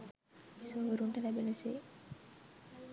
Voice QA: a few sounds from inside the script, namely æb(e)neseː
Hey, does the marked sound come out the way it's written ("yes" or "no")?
yes